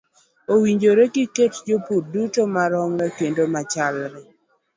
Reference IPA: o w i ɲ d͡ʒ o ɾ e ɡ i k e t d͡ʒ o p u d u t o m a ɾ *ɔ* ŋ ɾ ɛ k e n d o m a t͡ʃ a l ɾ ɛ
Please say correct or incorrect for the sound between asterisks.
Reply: correct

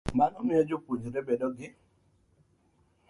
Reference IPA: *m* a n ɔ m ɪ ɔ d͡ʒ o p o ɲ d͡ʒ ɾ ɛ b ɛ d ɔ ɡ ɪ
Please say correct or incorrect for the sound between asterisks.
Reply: correct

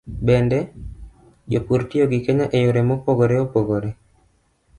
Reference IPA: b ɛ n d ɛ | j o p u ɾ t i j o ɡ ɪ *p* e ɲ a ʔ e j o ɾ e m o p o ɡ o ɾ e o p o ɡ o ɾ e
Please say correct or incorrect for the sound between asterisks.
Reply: incorrect: k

